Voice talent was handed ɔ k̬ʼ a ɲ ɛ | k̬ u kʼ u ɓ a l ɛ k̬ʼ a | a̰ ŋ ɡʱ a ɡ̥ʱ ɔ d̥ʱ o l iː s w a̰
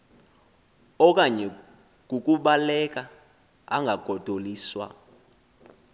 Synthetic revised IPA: ɔ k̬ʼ a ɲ ɛ | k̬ u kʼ u ɓ a l ɛ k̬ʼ a | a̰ ŋ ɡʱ a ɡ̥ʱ ɔ d̥ʱ o l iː s w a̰